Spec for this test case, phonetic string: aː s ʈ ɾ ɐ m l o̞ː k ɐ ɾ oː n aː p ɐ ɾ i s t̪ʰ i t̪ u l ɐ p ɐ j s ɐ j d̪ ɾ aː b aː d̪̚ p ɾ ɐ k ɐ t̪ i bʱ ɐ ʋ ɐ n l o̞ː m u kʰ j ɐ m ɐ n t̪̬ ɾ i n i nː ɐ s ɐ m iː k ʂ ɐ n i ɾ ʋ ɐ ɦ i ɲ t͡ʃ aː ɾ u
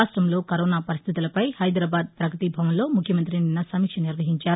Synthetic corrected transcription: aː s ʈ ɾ ɐ m l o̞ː k ɐ ɾ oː n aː p ɐ ɾ i s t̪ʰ i t̪ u l ɐ p ɐ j h ɐ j d̪ ɾ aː b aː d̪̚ p ɾ ɐ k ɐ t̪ i bʱ ɐ ʋ ɐ n l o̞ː m u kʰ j ɐ m ɐ n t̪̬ ɾ i n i nː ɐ s ɐ m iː k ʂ ɐ n i ɾ ʋ ɐ ɦ i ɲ t͡ʃ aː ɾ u

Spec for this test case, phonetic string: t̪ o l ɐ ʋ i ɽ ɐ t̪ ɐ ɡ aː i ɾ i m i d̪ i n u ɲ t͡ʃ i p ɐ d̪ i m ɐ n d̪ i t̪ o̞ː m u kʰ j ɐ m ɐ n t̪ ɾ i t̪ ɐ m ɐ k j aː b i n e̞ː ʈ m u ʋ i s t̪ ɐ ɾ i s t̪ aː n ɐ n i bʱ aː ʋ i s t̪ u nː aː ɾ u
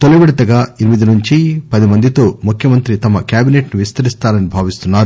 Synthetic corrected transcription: t̪ o l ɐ ʋ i ɽ ɐ t̪ ɐ ɡ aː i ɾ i m i d̪ i n u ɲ t͡ʃ i p ɐ d̪ i m ɐ n d̪ i t̪ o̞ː m u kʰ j ɐ m ɐ n t̪ ɾ i t̪ ɐ m ɐ k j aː b i n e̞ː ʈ n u ʋ i s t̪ ɐ ɾ i s t̪ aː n ɐ n i bʱ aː ʋ i s t̪ u nː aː ɾ u

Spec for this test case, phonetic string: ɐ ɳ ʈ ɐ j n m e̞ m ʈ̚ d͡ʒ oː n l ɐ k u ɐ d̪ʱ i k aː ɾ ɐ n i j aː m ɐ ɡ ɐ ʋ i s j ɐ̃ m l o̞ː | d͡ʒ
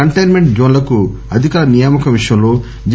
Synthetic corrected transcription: ɐ ɳ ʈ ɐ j n m e̞ ɳ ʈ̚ d͡ʒ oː n l ɐ k u ɐ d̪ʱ i k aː ɾ ɐ n i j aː m ɐ k ɐ ʋ i ʂ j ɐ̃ m l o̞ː | d͡ʒ

